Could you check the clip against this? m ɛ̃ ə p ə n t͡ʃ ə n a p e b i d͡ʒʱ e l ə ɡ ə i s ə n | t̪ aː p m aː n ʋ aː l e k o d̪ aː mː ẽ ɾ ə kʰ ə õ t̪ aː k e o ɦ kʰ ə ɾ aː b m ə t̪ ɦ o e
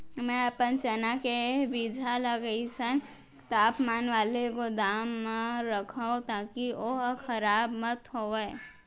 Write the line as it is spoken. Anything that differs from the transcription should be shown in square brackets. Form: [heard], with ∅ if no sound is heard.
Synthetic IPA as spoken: m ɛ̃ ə p ə n t͡ʃ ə n a [k] e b i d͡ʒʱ [a] l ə ɡ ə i s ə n | t̪ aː p m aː n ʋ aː l e k o d̪ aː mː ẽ ɾ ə kʰ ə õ t̪ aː k [i] o ɦ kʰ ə ɾ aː b m ə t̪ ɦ o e

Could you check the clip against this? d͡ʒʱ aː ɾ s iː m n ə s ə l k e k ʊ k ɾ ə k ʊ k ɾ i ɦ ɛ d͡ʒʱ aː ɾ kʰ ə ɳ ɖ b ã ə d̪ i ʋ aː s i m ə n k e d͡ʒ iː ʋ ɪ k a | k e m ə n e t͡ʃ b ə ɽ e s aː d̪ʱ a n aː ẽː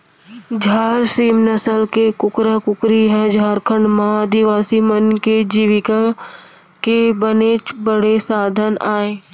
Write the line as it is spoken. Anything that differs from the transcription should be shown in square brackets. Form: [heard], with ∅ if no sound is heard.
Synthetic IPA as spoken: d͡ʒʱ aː ɾ s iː m n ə s ə l k e k ʊ k ɾ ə k ʊ k ɾ i ɦ ɛ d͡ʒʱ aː ɾ kʰ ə ɳ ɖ [m] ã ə d̪ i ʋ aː s i m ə n k e d͡ʒ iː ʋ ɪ k a | k e [b] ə n e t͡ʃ b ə ɽ e s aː d̪ʱ [ə] n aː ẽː

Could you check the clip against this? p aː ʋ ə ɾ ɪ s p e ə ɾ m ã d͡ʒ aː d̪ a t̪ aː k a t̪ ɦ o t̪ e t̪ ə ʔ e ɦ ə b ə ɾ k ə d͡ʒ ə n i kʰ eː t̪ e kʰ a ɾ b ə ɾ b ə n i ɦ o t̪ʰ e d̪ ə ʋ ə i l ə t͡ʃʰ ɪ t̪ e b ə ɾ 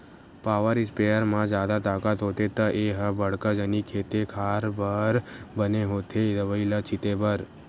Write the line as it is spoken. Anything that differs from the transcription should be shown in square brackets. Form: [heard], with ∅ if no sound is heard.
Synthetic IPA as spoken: p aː ʋ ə ɾ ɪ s p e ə ɾ m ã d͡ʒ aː d̪ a t̪ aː k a t̪ ɦ o t̪ e t̪ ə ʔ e ɦ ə b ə [ɽ] k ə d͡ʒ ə n i kʰ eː t̪ e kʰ a ɾ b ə ɾ b ə n [e] ɦ o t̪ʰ e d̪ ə ʋ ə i l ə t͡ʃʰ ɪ t̪ e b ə ɾ

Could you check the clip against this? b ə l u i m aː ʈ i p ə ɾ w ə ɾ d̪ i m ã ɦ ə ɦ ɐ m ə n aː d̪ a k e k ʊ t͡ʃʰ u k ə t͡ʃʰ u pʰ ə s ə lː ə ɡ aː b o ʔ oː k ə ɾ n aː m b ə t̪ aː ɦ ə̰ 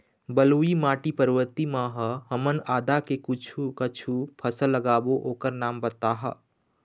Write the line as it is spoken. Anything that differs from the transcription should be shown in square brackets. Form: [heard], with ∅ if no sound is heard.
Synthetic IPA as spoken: b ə l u i m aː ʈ i p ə ɾ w ə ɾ [t̪] i m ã ɦ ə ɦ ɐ m ə n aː d̪ a k e k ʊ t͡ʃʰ u k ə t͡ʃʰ u pʰ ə s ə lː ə ɡ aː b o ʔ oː k ə ɾ n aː m b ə t̪ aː ɦ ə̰

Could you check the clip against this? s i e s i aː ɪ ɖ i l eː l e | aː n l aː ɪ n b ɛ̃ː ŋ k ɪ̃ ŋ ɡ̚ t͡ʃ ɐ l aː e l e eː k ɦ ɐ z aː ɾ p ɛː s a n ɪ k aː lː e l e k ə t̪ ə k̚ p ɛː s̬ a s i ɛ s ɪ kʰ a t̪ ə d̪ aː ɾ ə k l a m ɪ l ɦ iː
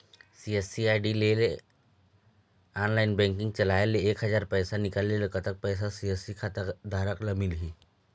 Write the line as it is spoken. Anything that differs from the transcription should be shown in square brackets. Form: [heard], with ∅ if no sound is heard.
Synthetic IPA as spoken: s i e s i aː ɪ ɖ i l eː l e | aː n l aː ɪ n b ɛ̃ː ŋ k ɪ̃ ŋ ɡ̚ t͡ʃ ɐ l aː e l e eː k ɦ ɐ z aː ɾ p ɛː s a n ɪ k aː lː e l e k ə t̪ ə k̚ p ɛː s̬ a s i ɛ s [i] kʰ a t̪ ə d̪ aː ɾ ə k l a m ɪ l ɦ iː

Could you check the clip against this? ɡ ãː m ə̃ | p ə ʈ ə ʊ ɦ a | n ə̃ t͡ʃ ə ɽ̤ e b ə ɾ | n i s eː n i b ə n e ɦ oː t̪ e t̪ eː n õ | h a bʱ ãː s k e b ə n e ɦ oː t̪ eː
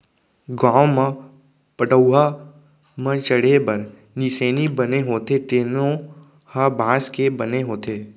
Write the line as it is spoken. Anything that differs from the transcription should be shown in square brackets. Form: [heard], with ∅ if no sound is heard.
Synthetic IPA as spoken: ɡ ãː m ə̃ | p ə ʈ ə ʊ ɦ a | [m] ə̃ t͡ʃ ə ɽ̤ e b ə ɾ | n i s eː n i b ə n e ɦ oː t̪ e t̪ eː n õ | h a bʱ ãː s k e b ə n e ɦ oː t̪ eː

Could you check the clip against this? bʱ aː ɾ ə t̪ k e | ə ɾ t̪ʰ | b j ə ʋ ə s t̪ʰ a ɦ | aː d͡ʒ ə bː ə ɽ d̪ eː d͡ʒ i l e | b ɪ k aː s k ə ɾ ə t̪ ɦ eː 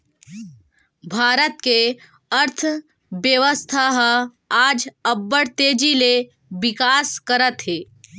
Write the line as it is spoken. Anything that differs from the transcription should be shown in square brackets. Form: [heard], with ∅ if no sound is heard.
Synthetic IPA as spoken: bʱ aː ɾ ə t̪ k e | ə ɾ t̪ʰ | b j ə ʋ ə s t̪ʰ a ɦ | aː d͡ʒ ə bː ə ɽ [t̪] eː d͡ʒ i l e | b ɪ k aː s k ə ɾ ə t̪ ɦ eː

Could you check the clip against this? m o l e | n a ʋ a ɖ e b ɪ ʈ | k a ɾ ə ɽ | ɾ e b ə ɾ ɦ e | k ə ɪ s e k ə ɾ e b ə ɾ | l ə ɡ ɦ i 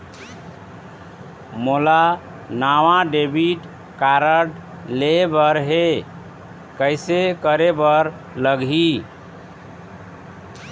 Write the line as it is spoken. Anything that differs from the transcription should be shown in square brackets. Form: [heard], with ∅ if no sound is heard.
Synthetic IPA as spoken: m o l [a] | n a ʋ a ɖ e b [i] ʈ | k a ɾ ə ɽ | [l] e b ə ɾ ɦ e | k ə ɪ s e k ə ɾ e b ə ɾ | l ə ɡ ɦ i

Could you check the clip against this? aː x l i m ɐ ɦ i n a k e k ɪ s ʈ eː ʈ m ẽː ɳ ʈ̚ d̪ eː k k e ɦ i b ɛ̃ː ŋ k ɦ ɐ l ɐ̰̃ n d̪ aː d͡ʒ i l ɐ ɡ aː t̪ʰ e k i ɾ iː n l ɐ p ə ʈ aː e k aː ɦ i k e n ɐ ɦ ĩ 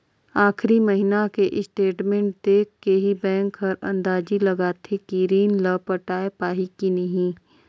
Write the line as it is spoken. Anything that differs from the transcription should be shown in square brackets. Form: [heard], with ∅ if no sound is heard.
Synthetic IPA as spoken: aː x [ɾ] i m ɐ ɦ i n a k e [ʔ] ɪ s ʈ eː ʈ m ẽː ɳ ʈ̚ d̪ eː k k e ɦ i b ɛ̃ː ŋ k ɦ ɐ [ɾ] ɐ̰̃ n d̪ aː d͡ʒ i l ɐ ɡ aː t̪ʰ e k i ɾ iː n l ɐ p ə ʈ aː e [p] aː ɦ i k [i] n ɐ ɦ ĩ

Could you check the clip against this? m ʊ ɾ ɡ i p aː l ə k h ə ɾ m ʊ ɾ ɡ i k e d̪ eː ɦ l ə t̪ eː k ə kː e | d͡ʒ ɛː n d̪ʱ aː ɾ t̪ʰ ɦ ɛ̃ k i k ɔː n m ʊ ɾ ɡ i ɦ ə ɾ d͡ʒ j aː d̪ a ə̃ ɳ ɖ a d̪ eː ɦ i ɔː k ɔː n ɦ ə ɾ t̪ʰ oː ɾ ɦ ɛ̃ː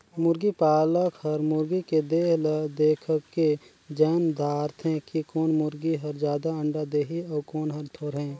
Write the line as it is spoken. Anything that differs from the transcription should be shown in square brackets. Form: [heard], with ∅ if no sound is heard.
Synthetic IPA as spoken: m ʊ ɾ ɡ i p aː l ə k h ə ɾ m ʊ ɾ ɡ i k e d̪ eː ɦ l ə [d̪] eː [kʰ] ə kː e | d͡ʒ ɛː n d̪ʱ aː ɾ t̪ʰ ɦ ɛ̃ k i k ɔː n m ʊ ɾ ɡ i ɦ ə ɾ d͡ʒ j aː d̪ a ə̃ ɳ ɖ a d̪ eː ɦ i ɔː k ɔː n ɦ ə ɾ t̪ʰ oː ɾ ɦ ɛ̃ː

